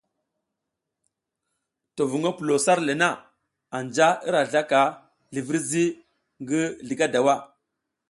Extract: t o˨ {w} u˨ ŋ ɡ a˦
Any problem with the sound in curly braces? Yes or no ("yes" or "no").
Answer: yes